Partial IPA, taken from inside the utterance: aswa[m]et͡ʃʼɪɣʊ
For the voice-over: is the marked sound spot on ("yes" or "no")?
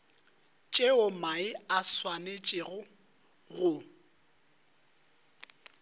no